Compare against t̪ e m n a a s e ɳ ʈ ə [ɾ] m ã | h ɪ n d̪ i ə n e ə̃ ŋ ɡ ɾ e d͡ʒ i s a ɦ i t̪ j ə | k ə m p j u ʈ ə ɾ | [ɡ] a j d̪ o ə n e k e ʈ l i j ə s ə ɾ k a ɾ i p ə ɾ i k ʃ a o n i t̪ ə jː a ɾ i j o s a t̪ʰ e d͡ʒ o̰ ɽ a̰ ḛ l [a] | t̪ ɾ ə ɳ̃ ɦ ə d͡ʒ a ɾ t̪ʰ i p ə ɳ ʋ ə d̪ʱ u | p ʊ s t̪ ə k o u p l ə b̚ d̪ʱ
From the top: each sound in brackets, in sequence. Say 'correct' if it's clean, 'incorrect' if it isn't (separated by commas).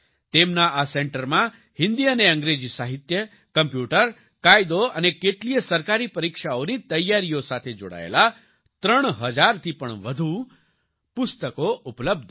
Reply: correct, incorrect, correct